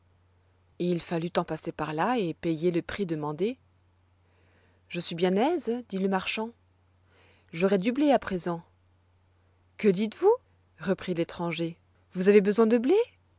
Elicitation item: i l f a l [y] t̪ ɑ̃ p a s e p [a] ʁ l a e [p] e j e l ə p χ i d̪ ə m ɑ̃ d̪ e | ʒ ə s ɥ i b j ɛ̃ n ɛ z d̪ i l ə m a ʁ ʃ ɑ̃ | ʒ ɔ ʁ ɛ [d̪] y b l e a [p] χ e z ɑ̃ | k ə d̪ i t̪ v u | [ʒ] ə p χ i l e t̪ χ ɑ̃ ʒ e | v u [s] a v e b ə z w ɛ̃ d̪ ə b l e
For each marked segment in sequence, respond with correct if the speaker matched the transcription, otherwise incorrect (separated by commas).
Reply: correct, correct, correct, correct, correct, incorrect, incorrect